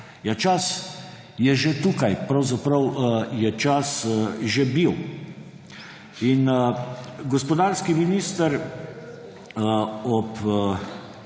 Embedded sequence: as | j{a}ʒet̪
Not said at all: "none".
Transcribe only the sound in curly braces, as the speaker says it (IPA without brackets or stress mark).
ɛ